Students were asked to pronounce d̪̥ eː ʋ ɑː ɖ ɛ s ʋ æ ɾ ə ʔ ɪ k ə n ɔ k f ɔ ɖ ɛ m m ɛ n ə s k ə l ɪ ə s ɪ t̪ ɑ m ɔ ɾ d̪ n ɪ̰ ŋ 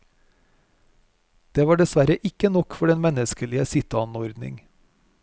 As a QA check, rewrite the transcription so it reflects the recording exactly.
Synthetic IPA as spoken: d̪̥ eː ʋ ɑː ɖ ɛ s ʋ æ ɾ ə ʔ ɪ k ə n ɔ k f ɔ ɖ ɛ n m ɛ n ə s k ə l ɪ ə s ɪ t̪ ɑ n ɔ ɾ d̪ n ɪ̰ ŋ